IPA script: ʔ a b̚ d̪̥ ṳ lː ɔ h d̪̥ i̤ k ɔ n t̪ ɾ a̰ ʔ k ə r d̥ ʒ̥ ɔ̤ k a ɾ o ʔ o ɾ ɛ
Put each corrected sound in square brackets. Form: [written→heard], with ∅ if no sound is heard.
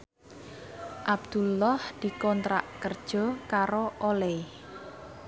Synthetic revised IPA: ʔ a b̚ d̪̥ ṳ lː ɔ h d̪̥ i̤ k ɔ n t̪ ɾ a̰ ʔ k ə r d̥ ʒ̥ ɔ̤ k a ɾ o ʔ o [ɾ→l] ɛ